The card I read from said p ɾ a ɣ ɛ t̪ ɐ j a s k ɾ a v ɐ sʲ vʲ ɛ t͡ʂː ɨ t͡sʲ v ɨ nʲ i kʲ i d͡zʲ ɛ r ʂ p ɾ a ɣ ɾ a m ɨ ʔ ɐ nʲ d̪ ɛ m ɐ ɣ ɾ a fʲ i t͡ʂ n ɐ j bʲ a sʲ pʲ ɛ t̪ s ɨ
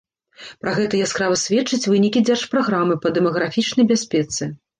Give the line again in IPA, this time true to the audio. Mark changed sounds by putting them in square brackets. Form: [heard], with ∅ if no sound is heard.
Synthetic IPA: p ɾ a ɣ ɛ t̪ ɐ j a s k ɾ a v ɐ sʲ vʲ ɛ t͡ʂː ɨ t͡sʲ v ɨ nʲ i kʲ i d͡zʲ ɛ r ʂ p ɾ a ɣ ɾ a m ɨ [p] ɐ [∅] d̪ ɛ m ɐ ɣ ɾ a fʲ i t͡ʂ n ɐ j bʲ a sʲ pʲ ɛ t̪ s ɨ